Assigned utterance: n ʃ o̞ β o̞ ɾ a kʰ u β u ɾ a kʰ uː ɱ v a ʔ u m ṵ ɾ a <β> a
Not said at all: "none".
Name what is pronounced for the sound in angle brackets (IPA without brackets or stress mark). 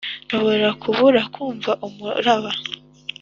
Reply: β